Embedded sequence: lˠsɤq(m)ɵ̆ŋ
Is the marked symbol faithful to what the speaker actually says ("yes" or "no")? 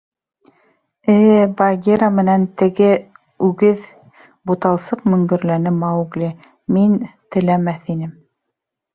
yes